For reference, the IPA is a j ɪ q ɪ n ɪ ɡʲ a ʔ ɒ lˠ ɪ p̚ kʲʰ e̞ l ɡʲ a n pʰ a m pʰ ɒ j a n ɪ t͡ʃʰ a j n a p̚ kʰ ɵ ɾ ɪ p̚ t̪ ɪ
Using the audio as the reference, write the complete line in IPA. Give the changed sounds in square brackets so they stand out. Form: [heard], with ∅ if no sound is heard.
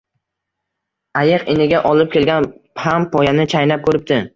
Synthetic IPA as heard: a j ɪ q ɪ n ɪ ɡʲ a ʔ ɒ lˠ ɪ p̚ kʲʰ e̞ l ɡʲ a n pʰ a m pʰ ɒ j a n ɪ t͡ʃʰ a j n a p̚ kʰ ɵ ɾ ɪ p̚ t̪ ɪ